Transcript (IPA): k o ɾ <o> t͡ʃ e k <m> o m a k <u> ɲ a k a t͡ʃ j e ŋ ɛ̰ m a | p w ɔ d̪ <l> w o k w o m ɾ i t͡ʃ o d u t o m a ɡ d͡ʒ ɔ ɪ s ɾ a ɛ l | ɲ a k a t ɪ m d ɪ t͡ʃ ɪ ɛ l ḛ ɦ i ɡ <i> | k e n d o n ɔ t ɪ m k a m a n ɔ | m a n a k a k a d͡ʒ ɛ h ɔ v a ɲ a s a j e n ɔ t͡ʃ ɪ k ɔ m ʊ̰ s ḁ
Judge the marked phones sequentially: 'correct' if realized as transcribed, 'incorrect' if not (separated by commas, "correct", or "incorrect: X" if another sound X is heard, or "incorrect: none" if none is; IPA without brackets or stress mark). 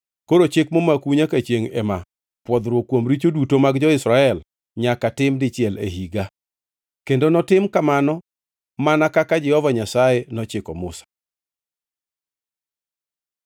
correct, correct, correct, incorrect: ɾ, incorrect: a